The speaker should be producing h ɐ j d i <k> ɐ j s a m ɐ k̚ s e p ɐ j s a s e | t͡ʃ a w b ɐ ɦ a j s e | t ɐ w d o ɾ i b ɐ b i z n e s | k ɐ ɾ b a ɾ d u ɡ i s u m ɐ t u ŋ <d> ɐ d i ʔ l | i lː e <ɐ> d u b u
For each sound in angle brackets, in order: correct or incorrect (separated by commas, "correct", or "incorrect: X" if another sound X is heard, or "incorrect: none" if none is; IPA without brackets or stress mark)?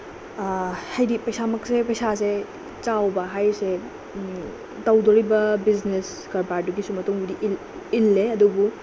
incorrect: p, incorrect: b, correct